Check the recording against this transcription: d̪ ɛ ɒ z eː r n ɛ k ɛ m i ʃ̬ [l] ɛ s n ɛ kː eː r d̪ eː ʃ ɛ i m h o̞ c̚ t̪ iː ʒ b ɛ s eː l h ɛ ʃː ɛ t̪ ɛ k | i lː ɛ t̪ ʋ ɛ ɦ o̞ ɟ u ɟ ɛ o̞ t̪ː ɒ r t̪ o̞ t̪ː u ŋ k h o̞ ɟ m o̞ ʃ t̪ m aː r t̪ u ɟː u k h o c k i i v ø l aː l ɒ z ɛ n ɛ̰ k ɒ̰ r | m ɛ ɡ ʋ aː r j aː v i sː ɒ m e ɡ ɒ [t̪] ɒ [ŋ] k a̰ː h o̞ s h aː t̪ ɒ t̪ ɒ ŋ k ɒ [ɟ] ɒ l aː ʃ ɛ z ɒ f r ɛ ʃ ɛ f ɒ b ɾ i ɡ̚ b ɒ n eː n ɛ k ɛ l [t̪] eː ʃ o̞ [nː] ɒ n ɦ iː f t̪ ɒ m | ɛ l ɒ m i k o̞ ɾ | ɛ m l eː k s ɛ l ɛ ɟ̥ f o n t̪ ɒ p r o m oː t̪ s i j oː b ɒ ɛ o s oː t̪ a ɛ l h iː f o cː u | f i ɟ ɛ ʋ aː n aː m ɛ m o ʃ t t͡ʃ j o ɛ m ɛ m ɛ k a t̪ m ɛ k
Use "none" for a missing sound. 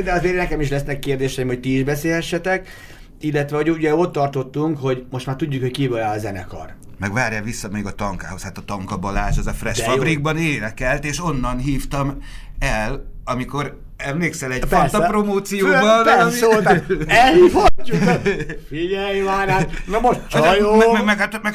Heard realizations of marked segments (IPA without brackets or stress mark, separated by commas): l, t̪, ŋ, b, t̪, nː